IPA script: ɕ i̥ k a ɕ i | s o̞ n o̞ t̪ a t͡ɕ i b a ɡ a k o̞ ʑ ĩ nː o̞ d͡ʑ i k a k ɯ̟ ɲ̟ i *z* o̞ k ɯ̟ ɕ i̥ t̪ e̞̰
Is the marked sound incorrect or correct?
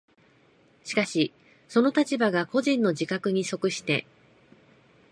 incorrect: s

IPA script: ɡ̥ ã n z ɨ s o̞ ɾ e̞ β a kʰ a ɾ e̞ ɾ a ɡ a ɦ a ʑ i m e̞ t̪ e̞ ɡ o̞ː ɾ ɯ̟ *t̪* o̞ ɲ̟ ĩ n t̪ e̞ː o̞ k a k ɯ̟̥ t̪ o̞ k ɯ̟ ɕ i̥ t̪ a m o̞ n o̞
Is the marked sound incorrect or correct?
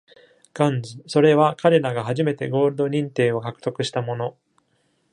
incorrect: d̪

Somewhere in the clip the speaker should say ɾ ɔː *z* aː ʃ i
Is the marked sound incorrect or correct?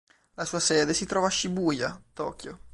incorrect: v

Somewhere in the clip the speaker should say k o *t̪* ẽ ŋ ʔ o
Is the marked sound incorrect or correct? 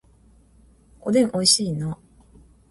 incorrect: d̪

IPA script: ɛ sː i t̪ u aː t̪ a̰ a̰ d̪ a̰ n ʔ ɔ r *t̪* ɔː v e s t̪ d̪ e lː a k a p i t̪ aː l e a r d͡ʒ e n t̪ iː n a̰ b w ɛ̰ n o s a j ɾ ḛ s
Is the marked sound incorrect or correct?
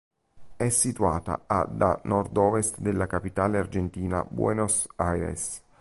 incorrect: d̪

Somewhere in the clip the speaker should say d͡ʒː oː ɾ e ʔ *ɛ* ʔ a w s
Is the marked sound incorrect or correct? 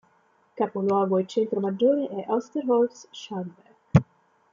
correct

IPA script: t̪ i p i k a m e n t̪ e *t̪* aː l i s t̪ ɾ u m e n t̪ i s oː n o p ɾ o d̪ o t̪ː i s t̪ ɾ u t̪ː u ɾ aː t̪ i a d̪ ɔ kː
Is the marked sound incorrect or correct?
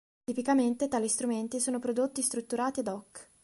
correct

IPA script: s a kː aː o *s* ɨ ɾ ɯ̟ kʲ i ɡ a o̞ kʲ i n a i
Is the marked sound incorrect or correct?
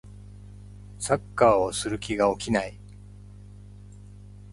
correct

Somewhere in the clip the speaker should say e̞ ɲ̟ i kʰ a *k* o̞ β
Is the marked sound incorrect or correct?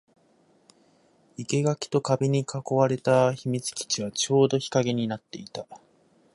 correct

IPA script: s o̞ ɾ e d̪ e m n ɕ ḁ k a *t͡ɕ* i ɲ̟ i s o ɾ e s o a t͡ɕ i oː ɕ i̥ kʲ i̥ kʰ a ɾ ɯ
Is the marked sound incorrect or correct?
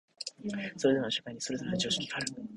incorrect: none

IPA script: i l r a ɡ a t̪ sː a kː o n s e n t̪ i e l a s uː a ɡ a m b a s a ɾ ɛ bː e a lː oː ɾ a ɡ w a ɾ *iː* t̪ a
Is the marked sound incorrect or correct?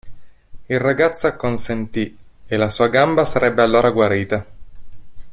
correct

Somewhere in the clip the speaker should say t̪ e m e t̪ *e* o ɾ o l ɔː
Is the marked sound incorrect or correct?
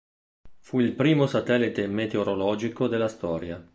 correct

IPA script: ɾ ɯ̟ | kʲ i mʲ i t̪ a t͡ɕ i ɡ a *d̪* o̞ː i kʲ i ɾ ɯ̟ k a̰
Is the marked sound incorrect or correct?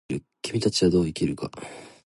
correct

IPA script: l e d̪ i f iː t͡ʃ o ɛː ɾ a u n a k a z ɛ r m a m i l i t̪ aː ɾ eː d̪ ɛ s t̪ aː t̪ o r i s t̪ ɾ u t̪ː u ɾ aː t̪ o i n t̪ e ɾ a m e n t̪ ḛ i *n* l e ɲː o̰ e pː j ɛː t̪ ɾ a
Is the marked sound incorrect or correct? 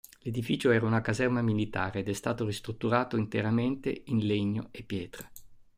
correct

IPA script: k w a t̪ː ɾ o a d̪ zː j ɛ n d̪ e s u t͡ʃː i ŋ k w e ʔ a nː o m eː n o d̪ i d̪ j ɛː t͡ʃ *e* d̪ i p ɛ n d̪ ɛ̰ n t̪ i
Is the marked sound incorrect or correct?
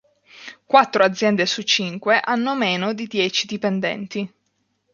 incorrect: i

